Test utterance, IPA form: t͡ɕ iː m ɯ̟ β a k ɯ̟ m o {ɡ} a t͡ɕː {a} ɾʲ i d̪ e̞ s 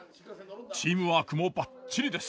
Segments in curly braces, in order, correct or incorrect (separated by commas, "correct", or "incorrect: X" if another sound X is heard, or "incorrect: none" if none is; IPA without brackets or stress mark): incorrect: b, incorrect: i